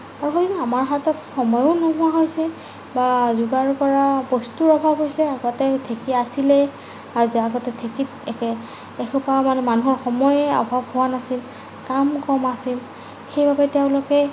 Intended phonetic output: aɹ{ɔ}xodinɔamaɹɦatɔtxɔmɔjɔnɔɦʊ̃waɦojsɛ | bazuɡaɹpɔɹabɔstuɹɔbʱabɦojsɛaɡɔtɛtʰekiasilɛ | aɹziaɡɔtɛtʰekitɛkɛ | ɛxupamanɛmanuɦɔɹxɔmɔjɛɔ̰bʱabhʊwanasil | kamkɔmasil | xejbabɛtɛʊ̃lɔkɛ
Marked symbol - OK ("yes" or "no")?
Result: no